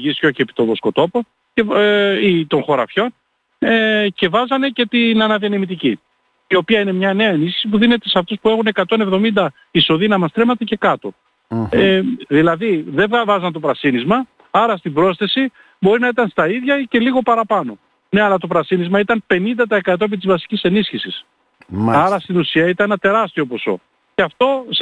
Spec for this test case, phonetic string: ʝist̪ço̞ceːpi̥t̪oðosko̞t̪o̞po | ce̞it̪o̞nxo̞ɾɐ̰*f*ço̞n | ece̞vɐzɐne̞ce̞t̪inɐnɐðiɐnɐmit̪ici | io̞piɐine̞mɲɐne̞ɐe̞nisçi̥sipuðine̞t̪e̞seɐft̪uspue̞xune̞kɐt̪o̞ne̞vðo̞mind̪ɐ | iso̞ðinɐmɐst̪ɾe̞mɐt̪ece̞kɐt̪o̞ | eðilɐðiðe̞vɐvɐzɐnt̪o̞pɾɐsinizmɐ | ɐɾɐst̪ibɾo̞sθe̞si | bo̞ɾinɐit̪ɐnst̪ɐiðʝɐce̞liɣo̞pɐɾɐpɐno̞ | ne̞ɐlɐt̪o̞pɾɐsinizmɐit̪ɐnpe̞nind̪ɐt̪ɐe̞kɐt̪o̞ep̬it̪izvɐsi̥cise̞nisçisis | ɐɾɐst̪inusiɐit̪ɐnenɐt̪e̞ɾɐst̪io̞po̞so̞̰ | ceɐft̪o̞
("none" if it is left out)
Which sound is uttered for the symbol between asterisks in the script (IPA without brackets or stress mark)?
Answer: f